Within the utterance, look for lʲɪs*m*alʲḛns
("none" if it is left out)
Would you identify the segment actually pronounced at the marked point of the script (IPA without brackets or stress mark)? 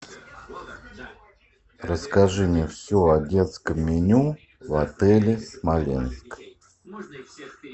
m